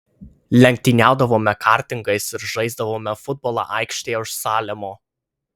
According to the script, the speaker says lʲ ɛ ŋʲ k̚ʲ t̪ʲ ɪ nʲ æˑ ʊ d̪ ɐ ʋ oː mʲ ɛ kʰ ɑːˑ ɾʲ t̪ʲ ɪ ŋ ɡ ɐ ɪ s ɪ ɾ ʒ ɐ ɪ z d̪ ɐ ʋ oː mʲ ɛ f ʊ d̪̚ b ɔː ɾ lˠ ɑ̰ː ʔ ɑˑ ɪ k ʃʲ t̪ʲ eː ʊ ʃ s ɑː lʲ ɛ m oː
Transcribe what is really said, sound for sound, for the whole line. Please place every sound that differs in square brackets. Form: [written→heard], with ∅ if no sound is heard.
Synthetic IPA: lʲ ɛ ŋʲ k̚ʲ t̪ʲ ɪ nʲ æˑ ʊ d̪ ɐ ʋ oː mʲ ɛ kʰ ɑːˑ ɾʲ t̪ʲ ɪ ŋ ɡ ɐ ɪ s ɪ ɾ ʒ ɐ ɪ z d̪ ɐ ʋ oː mʲ ɛ f ʊ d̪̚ b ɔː [ɾ→∅] lˠ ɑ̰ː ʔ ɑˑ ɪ k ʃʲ t̪ʲ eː ʊ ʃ s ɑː lʲ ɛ m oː